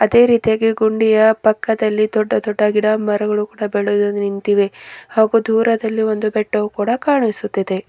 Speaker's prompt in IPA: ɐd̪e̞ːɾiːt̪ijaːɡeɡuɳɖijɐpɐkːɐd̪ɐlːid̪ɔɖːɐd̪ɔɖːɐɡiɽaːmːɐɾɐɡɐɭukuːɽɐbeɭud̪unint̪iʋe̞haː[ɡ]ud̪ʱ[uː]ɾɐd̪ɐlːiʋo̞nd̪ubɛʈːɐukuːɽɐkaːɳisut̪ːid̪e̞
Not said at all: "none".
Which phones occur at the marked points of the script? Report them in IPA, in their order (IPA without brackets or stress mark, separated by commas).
ɡ, uː